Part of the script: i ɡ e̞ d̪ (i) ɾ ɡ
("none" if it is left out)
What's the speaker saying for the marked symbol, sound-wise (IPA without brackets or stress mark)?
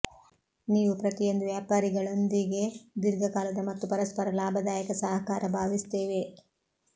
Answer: i